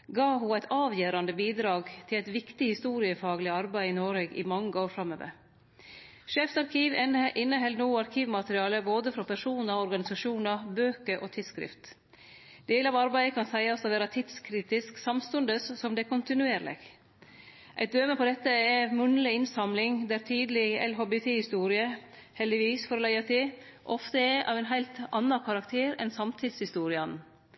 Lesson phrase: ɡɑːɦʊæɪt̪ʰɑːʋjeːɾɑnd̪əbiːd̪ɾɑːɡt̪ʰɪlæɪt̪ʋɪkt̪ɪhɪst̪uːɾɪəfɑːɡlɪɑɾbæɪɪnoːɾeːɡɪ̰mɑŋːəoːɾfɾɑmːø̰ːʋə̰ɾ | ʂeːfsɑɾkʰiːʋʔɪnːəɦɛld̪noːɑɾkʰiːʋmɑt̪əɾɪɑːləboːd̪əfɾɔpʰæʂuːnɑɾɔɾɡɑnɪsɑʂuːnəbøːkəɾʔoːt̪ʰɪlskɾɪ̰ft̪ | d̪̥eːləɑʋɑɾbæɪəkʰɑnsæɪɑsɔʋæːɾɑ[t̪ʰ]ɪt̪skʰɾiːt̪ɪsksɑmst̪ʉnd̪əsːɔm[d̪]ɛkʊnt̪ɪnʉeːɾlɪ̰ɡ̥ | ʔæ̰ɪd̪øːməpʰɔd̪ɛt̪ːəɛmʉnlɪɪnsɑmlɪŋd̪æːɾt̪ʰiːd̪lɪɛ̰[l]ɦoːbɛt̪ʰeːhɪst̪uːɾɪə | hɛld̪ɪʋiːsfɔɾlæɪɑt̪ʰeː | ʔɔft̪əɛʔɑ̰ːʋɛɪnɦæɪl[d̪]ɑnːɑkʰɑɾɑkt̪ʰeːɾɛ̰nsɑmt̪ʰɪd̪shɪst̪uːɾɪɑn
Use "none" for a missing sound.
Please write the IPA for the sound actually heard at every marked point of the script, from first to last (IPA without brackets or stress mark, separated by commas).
t̪ʰ, d̪, l, t̪